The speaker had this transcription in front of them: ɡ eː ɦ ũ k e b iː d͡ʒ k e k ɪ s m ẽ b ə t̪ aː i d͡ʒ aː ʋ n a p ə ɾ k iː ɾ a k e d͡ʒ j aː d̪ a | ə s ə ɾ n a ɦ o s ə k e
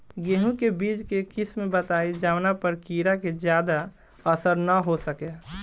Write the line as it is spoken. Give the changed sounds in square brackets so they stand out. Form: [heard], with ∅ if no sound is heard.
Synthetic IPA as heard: ɡ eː ɦ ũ k e b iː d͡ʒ k e k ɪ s m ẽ b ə t̪ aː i d͡ʒ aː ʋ n a p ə ɾ k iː ɾ a k e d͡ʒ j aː d̪ a | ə s ə ɾ n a ɦ o s ə k e

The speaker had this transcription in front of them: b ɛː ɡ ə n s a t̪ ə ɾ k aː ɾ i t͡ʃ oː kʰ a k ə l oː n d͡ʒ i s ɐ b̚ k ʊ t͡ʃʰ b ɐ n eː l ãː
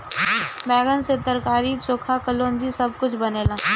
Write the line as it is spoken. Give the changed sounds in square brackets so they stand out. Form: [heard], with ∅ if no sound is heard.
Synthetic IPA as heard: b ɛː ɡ ə n s [e] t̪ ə ɾ k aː ɾ i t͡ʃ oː kʰ a k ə l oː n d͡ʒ i s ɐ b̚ k ʊ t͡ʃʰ b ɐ n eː l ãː

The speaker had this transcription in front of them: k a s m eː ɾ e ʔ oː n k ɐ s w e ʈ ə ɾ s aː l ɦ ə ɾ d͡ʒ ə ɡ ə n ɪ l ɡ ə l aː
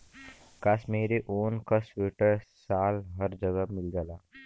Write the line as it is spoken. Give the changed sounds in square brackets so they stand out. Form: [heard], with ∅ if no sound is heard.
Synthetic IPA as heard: k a s m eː ɾ e ʔ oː n k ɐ s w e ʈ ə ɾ s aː l ɦ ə ɾ d͡ʒ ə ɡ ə [m] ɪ l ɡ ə l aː

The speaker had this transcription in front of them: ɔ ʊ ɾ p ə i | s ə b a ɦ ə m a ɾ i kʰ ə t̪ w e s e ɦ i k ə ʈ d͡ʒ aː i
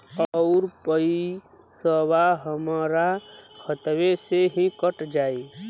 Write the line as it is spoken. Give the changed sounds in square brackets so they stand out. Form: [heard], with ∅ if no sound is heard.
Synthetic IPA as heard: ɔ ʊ ɾ p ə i | s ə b a ɦ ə m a ɾ [a] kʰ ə t̪ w e s e ɦ i k ə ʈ d͡ʒ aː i

